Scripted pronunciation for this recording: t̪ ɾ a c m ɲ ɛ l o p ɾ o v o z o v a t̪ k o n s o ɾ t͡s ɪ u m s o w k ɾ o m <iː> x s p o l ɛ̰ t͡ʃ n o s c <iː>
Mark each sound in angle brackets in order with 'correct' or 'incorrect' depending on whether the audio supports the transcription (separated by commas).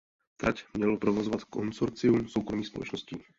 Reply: correct, correct